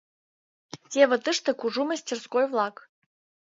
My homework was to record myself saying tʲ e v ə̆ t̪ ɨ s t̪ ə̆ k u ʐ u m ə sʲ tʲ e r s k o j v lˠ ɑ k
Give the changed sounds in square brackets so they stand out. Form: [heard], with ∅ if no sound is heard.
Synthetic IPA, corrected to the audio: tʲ e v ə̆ t̪ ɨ [ʂ] t̪ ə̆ k u ʐ u m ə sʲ tʲ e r s k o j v lˠ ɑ k